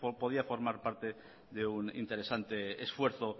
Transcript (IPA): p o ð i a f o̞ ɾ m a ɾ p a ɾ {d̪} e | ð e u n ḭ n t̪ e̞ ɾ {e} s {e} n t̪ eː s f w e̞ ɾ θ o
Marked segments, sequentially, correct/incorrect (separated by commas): incorrect, correct, incorrect